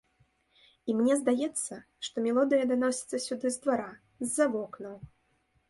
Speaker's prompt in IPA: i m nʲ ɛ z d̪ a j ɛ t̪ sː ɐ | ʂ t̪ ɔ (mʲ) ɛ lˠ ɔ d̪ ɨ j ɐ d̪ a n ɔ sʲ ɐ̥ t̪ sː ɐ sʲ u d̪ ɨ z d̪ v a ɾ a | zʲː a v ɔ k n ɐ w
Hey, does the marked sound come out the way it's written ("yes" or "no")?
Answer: yes